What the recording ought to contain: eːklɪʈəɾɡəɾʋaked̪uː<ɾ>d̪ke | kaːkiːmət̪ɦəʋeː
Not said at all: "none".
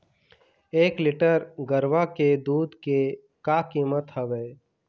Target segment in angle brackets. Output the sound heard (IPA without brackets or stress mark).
none